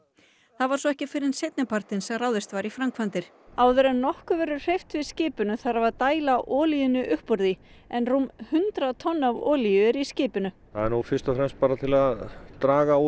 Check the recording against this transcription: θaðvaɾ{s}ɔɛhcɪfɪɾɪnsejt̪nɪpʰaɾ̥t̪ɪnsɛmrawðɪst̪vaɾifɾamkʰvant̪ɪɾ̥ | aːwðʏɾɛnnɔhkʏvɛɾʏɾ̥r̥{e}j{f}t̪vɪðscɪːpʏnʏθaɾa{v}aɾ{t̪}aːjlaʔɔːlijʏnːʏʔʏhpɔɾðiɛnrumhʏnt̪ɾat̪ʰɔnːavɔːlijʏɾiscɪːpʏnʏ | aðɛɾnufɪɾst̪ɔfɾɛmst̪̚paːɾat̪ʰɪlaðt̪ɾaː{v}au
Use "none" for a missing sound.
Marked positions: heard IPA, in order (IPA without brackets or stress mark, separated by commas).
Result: s, e, f, v, t̪, ɣ